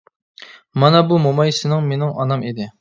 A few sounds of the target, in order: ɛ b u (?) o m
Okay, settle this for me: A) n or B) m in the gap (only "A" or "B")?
B